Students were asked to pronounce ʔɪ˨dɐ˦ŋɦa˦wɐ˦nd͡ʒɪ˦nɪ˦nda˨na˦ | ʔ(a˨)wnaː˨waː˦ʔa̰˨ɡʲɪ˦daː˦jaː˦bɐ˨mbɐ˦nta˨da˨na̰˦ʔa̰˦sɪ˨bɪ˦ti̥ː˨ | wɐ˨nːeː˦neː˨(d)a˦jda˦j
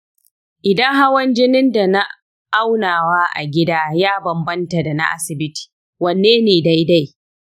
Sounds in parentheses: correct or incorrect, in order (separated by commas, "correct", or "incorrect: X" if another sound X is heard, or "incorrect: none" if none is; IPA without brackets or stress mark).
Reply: incorrect: a˦, correct